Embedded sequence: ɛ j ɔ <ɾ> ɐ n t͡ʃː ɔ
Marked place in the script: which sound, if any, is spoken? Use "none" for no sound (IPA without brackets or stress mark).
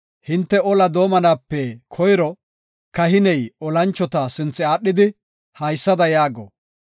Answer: l